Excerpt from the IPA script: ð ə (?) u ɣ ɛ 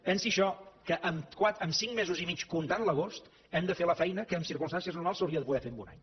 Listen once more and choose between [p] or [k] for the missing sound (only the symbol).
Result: p